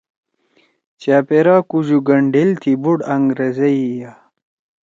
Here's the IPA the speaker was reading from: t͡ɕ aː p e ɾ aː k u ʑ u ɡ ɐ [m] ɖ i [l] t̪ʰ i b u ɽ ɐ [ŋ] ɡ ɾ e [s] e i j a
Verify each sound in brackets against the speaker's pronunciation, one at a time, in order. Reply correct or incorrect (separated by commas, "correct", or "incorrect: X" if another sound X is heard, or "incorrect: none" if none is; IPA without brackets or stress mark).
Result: incorrect: ɳ, correct, correct, incorrect: z